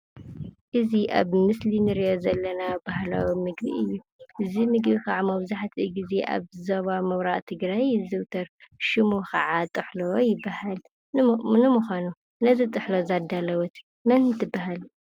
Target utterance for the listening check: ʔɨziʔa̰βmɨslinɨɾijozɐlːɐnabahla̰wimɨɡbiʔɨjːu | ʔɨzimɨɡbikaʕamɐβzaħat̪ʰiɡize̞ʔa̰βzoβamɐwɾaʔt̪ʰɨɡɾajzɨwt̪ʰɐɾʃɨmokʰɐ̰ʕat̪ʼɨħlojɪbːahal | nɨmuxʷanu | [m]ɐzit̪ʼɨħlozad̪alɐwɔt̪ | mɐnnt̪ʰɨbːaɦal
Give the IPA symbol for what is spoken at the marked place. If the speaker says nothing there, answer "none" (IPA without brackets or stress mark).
n